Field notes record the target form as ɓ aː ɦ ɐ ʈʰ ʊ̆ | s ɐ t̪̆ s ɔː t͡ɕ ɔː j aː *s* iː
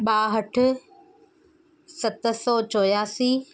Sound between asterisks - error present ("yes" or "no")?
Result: no